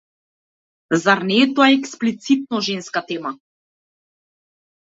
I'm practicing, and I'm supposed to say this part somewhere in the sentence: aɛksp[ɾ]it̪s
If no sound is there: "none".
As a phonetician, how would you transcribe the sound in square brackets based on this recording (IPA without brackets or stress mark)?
l